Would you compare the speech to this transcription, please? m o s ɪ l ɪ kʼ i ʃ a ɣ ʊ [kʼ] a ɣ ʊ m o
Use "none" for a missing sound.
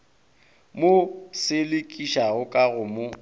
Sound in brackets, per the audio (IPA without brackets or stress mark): kʼ